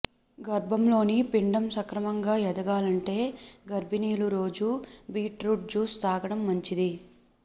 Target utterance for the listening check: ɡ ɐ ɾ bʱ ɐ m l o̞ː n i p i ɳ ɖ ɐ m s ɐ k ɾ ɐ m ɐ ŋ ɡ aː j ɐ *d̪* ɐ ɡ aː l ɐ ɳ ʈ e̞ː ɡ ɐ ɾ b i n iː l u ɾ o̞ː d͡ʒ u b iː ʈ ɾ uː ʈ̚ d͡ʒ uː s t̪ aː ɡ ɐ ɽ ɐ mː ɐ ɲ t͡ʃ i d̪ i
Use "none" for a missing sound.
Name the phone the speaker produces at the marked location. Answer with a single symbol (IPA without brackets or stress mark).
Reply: d̪